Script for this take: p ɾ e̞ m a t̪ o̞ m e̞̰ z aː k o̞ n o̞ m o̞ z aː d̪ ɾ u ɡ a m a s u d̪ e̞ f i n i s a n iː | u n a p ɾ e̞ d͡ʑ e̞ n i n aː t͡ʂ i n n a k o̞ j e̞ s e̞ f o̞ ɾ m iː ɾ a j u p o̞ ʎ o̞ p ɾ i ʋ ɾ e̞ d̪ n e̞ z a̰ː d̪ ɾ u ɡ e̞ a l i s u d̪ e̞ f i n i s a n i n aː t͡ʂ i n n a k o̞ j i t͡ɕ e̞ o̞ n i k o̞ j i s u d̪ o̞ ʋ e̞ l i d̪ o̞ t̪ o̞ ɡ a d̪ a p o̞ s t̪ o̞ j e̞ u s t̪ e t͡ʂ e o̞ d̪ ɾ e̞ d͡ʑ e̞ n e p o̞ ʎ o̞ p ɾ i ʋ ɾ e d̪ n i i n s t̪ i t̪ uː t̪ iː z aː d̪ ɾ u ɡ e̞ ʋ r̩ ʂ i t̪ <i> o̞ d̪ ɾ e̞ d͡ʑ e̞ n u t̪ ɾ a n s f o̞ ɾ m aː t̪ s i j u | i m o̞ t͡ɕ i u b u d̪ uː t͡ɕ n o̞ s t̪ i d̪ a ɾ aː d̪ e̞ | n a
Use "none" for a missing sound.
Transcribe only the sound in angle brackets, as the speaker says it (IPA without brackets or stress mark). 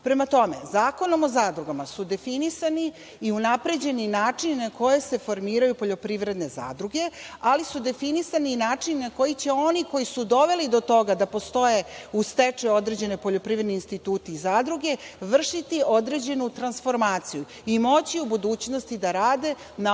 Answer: i